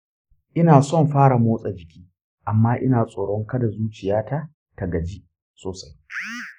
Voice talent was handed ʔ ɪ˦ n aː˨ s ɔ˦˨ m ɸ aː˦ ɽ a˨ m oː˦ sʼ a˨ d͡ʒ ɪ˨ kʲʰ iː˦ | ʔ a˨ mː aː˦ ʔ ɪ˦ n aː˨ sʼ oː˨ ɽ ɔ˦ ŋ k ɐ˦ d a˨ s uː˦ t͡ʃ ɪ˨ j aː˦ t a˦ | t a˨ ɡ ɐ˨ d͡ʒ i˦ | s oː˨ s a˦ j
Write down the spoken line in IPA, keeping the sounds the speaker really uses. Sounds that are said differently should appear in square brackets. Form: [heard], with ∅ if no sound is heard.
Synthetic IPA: ʔ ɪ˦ n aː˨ s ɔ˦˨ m ɸ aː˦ ɽ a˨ m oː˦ sʼ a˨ d͡ʒ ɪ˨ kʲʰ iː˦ | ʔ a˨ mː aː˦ ʔ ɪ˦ n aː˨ sʼ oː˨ ɽ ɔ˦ ŋ k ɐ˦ d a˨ [z] uː˦ t͡ʃ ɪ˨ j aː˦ t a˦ | t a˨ ɡ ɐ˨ d͡ʒ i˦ | s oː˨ s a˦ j